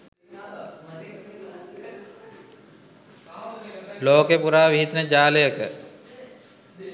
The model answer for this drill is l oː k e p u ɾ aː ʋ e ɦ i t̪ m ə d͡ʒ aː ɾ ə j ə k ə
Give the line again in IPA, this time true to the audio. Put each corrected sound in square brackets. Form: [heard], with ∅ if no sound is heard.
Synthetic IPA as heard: l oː k e p u ɾ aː ʋ [i] ɦ i t̪ [n] ə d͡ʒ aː [l] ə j ə k ə